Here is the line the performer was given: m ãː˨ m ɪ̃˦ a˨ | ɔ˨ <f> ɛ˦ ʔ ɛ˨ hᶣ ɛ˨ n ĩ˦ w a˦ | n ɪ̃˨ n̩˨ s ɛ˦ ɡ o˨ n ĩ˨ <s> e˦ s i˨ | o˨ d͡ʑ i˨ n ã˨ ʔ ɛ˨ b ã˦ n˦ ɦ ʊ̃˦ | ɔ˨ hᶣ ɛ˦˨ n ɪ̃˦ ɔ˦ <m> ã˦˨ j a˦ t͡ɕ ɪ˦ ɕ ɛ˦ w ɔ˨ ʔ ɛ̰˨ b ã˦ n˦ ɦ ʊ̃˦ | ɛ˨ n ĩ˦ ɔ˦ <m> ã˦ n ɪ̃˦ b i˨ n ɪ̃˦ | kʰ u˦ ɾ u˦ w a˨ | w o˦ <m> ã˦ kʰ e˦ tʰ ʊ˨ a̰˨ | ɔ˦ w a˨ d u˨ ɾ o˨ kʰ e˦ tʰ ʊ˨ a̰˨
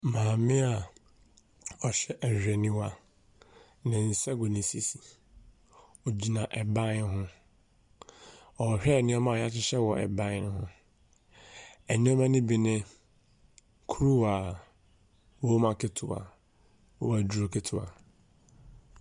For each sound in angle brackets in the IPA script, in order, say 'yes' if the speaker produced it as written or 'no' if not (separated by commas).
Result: no, yes, yes, yes, yes